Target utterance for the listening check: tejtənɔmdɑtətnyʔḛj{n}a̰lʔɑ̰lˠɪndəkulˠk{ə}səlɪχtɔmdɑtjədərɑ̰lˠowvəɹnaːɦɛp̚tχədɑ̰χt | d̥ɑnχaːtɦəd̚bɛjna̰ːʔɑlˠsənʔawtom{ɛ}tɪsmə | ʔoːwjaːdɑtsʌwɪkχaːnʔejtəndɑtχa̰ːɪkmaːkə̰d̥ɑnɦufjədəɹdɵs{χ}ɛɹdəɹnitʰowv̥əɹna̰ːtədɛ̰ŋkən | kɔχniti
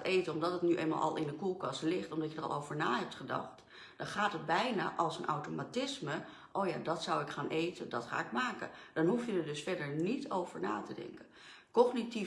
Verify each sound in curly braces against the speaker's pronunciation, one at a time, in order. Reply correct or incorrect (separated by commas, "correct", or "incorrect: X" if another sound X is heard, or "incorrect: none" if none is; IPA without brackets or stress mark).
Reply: incorrect: m, incorrect: ɑ, incorrect: a, incorrect: f